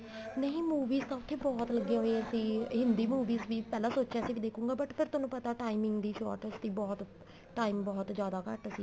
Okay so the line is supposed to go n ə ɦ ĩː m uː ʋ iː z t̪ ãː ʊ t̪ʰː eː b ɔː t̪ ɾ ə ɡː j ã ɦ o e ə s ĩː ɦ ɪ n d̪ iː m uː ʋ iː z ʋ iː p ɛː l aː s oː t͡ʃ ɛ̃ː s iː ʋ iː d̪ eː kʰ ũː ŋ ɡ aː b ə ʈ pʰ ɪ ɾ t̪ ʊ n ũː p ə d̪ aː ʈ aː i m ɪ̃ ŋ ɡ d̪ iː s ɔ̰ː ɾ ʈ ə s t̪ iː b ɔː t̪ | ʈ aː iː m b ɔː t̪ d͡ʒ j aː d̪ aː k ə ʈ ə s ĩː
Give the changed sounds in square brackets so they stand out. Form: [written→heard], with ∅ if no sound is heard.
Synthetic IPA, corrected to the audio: n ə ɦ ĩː m uː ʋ iː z t̪ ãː ʊ t̪ʰː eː b ɔː t̪ [ɾ→l] ə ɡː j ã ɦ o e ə s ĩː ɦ ɪ n d̪ iː m uː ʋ iː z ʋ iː p ɛː l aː s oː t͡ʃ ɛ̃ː s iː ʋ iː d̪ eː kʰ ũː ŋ ɡ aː b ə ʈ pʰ ɪ ɾ t̪ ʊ n ũː p ə [d̪→t̪] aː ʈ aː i m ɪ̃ ŋ ɡ d̪ iː [s→ʃ] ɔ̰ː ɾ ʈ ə s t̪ iː b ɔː t̪ | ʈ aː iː m b ɔː t̪ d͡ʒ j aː d̪ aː k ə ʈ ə s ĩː